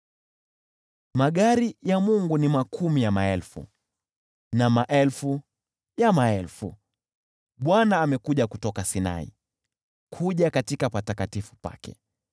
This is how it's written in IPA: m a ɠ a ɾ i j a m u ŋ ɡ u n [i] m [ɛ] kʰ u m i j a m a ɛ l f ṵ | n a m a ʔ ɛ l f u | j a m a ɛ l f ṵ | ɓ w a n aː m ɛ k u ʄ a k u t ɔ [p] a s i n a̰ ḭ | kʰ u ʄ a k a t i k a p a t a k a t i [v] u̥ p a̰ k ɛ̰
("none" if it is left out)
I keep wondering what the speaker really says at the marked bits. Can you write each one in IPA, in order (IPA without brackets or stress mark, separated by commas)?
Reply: i, a, k, f